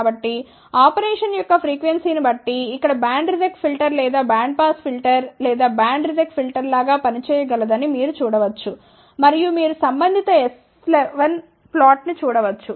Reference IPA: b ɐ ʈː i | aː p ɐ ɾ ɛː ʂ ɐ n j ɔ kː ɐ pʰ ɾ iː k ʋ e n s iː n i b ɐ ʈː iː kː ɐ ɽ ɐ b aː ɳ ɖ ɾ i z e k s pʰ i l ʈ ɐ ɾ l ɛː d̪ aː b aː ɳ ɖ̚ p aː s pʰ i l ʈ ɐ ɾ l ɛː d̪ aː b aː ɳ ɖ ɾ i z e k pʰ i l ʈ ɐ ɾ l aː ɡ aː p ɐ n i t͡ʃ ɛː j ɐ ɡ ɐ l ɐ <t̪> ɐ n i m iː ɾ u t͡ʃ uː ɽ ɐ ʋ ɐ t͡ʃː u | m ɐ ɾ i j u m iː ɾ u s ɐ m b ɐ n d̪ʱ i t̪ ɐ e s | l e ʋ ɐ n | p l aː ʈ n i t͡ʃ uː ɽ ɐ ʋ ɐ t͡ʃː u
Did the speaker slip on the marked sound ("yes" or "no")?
yes